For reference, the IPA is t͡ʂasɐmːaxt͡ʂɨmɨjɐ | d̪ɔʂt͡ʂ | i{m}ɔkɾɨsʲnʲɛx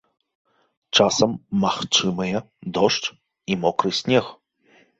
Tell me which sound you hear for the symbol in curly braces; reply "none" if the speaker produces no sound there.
m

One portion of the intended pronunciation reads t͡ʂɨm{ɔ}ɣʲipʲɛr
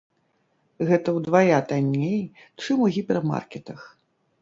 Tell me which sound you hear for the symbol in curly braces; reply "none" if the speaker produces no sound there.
u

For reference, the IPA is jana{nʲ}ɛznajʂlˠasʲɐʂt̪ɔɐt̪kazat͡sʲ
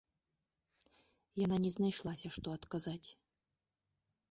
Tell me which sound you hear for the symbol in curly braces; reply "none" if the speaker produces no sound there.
nʲ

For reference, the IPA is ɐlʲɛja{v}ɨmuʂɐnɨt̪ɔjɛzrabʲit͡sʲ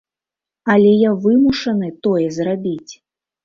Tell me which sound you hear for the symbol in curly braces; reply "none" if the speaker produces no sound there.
v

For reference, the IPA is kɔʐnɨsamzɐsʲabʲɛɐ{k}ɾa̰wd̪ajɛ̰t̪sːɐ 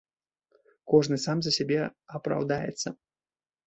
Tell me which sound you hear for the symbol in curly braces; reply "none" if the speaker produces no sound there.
p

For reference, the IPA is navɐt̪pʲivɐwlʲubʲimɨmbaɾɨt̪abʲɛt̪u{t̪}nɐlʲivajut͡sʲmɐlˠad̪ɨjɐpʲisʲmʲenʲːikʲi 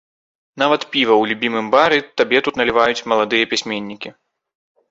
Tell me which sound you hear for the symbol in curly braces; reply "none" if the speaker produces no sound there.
t̪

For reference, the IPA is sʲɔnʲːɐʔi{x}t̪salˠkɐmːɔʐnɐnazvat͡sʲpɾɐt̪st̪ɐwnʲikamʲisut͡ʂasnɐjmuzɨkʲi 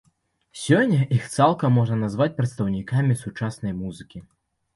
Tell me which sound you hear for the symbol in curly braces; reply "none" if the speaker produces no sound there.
x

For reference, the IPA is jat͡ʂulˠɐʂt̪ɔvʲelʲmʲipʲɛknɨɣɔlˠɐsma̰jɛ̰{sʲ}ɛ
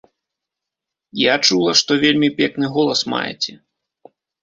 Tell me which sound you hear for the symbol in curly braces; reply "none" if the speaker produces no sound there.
t͡sʲ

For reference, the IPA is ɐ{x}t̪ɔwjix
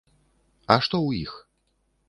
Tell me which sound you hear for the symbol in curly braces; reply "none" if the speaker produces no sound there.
ʂ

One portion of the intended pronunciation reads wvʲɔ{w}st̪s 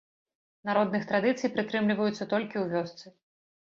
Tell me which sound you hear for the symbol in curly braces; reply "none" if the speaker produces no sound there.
none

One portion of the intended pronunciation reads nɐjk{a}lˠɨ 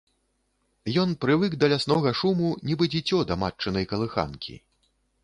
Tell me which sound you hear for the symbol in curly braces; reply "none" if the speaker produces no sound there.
ɐ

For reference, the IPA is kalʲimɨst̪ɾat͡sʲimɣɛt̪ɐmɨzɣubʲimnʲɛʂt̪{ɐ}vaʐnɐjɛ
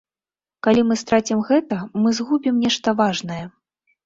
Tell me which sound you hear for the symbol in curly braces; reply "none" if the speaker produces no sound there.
ɐ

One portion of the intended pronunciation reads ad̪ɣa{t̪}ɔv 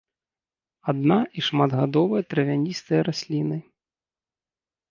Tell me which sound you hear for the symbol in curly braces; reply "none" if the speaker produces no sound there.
d̪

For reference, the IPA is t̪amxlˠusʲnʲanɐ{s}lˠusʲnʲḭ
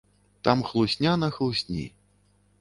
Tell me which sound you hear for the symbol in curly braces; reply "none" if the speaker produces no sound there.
x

